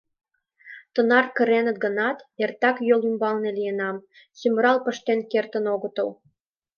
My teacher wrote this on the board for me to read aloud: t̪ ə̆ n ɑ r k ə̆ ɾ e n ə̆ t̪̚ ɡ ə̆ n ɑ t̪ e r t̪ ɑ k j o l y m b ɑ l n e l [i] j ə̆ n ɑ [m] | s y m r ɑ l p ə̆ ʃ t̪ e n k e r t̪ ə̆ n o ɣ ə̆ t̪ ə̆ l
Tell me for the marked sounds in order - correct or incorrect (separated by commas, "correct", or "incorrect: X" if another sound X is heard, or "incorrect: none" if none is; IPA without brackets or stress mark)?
correct, correct